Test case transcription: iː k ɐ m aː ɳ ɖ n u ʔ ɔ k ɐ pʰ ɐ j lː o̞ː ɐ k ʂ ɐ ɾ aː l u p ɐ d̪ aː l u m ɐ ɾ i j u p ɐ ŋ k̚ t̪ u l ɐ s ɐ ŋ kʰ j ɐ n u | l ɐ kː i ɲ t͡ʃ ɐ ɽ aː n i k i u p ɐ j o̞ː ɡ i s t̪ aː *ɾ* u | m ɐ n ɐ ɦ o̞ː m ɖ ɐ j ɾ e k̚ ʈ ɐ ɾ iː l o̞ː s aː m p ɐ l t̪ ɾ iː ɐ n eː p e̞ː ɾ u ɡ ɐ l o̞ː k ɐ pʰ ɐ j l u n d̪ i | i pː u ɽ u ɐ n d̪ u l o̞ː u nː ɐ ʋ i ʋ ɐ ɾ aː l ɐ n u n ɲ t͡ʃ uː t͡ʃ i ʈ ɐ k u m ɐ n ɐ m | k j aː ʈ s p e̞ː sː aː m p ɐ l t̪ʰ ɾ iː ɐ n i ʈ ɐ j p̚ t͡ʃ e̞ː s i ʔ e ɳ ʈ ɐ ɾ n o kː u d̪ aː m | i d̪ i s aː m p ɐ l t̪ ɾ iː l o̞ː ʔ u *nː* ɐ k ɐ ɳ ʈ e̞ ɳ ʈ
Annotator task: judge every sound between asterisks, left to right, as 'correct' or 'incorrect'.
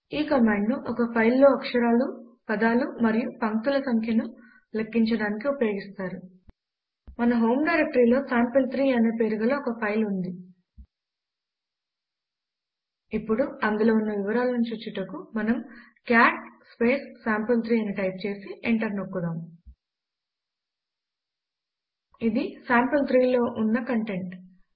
correct, correct

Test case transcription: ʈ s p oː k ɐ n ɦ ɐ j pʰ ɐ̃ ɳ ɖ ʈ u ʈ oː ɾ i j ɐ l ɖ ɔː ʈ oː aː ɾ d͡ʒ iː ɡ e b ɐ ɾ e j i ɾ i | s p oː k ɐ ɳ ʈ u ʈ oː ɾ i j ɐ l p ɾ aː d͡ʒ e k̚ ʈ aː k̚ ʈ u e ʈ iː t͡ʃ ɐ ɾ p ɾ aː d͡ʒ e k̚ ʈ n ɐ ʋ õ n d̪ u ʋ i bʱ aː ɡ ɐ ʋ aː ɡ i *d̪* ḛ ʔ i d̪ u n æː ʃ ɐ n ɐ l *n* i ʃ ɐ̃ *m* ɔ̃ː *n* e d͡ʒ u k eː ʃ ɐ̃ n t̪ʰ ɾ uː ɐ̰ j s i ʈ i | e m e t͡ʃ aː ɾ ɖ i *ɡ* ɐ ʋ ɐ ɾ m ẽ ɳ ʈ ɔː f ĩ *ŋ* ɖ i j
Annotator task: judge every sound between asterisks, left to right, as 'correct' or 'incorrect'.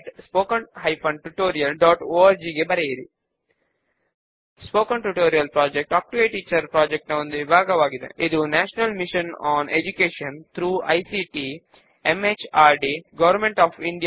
correct, incorrect, incorrect, correct, correct, incorrect

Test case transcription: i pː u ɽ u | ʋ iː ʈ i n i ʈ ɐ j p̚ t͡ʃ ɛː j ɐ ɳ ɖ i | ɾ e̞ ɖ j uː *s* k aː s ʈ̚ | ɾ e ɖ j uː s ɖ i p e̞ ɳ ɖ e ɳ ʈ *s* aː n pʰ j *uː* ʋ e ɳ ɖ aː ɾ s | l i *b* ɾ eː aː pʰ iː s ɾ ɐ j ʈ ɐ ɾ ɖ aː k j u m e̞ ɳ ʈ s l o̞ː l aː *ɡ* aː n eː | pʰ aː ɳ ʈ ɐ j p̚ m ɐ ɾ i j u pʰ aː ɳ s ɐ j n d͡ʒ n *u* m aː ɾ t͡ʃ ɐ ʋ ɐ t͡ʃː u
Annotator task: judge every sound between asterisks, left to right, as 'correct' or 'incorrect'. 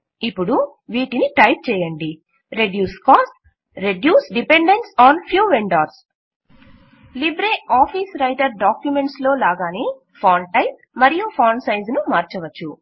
correct, correct, correct, correct, correct, correct

